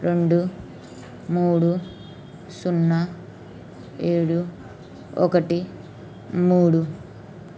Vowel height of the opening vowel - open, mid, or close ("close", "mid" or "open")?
mid